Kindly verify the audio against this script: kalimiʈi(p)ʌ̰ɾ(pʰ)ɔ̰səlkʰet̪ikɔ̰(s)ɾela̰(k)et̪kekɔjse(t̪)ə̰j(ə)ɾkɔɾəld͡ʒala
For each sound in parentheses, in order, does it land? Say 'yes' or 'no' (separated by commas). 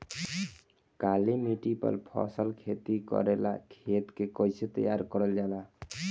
yes, yes, no, no, yes, no